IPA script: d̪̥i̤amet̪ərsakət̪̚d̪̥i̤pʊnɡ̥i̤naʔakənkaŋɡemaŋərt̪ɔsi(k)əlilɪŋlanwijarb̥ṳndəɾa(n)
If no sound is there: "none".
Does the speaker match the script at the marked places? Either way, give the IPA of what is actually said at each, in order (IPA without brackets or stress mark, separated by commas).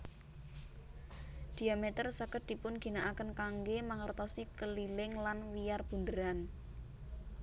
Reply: k, n